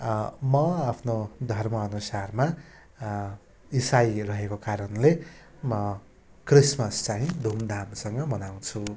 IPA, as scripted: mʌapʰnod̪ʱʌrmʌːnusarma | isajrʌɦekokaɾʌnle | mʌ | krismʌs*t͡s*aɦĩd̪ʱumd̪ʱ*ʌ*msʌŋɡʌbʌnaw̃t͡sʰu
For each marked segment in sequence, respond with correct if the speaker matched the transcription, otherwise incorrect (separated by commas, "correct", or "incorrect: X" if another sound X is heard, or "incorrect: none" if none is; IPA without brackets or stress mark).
correct, incorrect: a